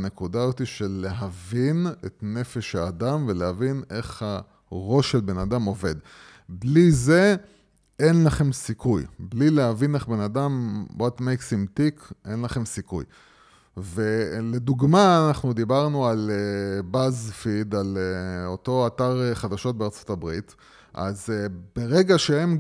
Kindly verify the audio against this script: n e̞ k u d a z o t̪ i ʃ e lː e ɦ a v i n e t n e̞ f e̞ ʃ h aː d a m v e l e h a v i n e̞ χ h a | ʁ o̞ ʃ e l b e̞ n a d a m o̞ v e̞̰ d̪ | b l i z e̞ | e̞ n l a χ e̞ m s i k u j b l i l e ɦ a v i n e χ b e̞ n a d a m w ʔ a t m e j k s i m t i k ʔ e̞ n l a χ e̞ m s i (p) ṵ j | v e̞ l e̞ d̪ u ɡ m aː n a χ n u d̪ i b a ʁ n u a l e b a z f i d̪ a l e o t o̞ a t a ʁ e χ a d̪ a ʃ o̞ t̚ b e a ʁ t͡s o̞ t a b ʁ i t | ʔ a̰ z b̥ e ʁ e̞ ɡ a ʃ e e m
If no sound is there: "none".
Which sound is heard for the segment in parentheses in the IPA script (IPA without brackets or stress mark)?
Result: k